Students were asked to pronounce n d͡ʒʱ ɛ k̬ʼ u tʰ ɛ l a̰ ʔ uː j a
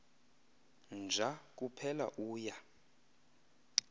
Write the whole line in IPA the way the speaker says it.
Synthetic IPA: n d͡ʒʱ a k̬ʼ u pʰ ɛ l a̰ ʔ uː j a